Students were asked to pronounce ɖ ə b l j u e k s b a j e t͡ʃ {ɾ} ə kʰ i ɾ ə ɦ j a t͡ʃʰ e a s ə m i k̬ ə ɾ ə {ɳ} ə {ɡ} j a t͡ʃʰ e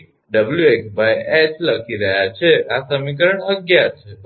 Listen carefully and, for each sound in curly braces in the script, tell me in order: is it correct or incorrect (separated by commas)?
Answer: incorrect, correct, correct